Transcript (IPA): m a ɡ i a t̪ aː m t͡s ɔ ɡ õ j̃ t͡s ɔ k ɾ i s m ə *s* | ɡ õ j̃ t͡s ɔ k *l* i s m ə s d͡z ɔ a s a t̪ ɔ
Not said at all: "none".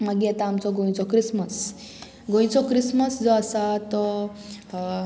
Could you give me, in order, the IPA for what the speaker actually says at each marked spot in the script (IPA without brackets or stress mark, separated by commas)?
s, ɾ